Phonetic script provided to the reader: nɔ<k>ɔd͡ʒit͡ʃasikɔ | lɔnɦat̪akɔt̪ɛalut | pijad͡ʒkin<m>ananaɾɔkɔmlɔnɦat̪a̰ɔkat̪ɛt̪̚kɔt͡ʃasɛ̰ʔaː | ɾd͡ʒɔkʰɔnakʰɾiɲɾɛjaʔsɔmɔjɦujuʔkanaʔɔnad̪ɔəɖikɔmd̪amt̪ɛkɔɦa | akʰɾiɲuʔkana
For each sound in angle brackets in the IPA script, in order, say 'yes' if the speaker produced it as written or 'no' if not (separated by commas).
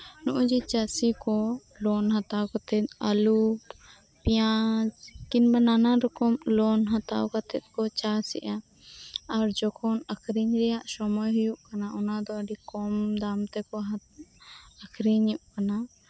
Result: no, no